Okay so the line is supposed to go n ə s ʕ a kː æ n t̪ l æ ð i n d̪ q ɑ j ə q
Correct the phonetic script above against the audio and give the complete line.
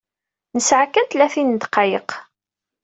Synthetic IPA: n ə s ʕ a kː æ n t̪ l æ θ i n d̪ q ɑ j ə q